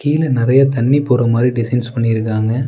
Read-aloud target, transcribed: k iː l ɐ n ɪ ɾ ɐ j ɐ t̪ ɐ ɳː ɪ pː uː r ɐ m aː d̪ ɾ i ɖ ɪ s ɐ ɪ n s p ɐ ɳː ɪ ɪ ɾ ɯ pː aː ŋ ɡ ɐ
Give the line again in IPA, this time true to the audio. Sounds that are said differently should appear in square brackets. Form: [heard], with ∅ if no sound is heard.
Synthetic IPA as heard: k iː l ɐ n ɪ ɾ ɐ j ɐ t̪ ɐ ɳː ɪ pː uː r ɐ m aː d̪ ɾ i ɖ ɪ s ɐ ɪ n s p ɐ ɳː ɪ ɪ ɾ ɯ [kː] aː ŋ ɡ ɐ

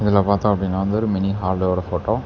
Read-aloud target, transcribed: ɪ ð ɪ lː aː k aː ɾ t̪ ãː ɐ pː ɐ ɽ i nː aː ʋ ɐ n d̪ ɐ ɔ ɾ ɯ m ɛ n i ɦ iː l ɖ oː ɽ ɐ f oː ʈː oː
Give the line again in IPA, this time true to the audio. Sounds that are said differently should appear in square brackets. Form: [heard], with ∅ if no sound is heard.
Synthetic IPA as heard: ɪ ð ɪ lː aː [p] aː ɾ t̪ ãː ɐ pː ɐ ɽ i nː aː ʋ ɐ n d̪ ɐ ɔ ɾ ɯ m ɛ n i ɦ [aː] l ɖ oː ɽ ɐ f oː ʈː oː

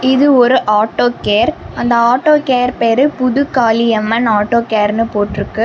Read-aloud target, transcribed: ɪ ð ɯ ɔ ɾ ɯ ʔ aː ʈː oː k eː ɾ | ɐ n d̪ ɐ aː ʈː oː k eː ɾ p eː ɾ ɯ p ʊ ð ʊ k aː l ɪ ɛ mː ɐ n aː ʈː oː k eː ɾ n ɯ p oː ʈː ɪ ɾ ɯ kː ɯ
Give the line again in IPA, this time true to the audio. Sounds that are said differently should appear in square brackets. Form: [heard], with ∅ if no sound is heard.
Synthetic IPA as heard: ɪ ð ɯ ɔ ɾ ɯ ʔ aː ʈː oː k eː ɾ | ɐ n d̪ ɐ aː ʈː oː k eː ɾ p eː ɾ ɯ p ʊ ð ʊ k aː l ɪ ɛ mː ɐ n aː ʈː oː k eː ɾ n ɯ p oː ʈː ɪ ɾ ɯ kː ɯ

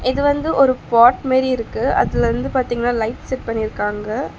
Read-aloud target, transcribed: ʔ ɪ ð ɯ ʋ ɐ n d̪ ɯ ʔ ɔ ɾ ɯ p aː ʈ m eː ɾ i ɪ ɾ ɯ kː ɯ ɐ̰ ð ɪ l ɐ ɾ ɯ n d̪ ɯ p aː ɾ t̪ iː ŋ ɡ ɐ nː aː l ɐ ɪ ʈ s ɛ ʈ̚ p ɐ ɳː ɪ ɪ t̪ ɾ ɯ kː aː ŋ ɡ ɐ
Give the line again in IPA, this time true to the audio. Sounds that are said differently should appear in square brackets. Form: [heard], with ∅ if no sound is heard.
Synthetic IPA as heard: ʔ ɪ ð ɯ ʋ ɐ n d̪ ɯ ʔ ɔ ɾ ɯ p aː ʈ m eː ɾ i ɪ ɾ ɯ kː ɯ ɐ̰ ð ɪ l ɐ ɾ ɯ n d̪ ɯ p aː ɾ t̪ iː ŋ ɡ ɐ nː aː l ɐ ɪ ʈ s ɛ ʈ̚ p ɐ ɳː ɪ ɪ [∅] ɾ ɯ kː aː ŋ ɡ ɐ

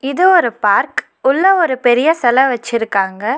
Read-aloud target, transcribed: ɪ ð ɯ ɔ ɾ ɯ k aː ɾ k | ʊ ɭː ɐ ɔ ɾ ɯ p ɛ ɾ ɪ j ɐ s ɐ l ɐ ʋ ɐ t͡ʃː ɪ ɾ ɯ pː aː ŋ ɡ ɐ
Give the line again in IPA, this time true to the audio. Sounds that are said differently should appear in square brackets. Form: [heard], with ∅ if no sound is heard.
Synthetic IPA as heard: ɪ ð ɯ ɔ ɾ ɯ [p] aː ɾ k | ʊ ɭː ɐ ɔ ɾ ɯ p ɛ ɾ ɪ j ɐ s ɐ l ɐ ʋ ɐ t͡ʃː ɪ ɾ ɯ [kː] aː ŋ ɡ ɐ

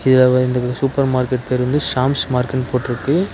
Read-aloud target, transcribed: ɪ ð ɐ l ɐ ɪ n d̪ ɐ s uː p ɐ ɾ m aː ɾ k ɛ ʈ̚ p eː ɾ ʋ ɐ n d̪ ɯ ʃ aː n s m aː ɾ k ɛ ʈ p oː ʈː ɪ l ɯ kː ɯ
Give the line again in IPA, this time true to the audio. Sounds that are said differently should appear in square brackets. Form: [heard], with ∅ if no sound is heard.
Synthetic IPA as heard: ɪ ð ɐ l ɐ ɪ n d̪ ɐ s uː p ɐ ɾ m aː ɾ k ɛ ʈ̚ p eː ɾ ʋ ɐ n d̪ ɯ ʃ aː [m] s m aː ɾ k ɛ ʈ p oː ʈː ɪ [ɾ] ɯ kː ɯ

